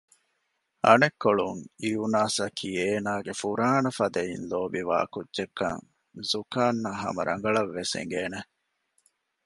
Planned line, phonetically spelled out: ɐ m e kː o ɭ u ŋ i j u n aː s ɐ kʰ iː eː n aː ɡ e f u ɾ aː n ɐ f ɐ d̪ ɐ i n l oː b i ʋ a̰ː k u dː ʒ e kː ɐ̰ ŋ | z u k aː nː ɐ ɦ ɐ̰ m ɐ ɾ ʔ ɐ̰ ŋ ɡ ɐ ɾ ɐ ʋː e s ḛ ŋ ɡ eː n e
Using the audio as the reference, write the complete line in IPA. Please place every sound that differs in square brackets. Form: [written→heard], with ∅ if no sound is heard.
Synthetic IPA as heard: ɐ [m→n] e kː o ɭ u ŋ i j u n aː s ɐ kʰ iː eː n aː ɡ e f u ɾ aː n ɐ f ɐ d̪ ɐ i n l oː b i ʋ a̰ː k u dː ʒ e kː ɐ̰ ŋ | z u k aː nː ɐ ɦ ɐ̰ m ɐ ɾ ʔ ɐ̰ ŋ ɡ ɐ [ɾ→ɭ] ɐ ʋː e s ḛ ŋ ɡ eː n e

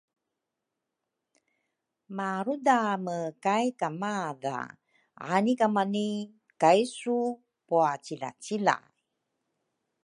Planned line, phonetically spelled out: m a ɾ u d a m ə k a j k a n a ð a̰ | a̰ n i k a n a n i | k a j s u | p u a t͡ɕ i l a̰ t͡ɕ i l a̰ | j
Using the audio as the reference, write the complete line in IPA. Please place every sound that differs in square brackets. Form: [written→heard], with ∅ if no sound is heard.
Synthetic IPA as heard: m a ɾ u d a m ə k a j k a [n→m] a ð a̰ | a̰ n i k a [n→m] a n i | k a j s u | p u a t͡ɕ i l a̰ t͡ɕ i l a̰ | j

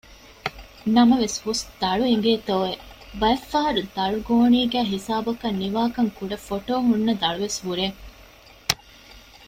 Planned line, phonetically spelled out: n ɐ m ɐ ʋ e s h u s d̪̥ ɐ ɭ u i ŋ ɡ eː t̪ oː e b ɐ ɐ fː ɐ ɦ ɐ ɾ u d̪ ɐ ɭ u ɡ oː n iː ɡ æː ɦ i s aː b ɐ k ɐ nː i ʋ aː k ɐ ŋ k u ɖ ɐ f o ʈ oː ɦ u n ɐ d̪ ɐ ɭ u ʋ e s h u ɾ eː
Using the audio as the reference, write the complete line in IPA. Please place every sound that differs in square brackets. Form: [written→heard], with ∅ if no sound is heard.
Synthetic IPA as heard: n ɐ m ɐ ʋ e s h u s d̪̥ ɐ ɭ u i ŋ ɡ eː t̪ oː e b ɐ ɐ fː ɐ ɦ ɐ ɾ u d̪ ɐ ɭ u ɡ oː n iː ɡ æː ɦ i s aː b ɐ k ɐ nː i ʋ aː k ɐ ŋ k u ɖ ɐ f o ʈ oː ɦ u [n→nː] ɐ d̪ ɐ ɭ u ʋ e s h u ɾ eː

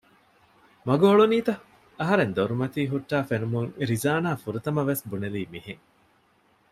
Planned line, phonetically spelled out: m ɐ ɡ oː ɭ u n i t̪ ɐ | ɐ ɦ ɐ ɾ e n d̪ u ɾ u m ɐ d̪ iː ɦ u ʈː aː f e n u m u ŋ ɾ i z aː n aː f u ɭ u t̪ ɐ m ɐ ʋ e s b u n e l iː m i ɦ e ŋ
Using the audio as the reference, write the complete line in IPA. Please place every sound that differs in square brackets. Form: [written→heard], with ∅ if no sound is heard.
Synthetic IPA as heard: m ɐ ɡ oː ɭ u n [i→iː] t̪ ɐ | ɐ ɦ ɐ ɾ e n d̪ [u→o] ɾ u m ɐ [d̪→t̪] iː ɦ u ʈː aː f e n u m u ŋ ɾ i z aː n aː f u [ɭ→ɾ] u t̪ ɐ m ɐ ʋ e s b u n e l iː m i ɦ e ŋ

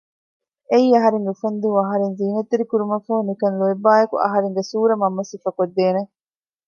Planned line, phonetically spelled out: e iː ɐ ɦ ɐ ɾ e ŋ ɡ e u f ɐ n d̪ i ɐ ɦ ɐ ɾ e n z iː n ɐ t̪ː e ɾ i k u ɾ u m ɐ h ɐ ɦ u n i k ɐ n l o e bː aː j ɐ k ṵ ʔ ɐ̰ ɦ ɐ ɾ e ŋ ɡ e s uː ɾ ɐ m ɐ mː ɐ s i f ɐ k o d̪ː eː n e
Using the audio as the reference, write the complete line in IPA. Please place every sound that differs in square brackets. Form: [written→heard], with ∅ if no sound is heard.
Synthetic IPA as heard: e iː ɐ ɦ ɐ ɾ e ŋ ɡ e u f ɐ n d̪ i ɐ ɦ ɐ ɾ e n z iː n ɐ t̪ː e ɾ i k u ɾ u m ɐ [h→f] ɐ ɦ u n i k ɐ n l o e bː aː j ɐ k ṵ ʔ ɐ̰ ɦ ɐ ɾ e ŋ ɡ e s uː ɾ ɐ m ɐ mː ɐ s i f ɐ k o d̪ː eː n e

